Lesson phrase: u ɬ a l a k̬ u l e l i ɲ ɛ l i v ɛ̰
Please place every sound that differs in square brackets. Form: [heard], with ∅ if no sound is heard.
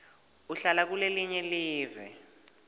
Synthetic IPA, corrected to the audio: u ɬ a l a k̬ u l e l i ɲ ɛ l [iː] v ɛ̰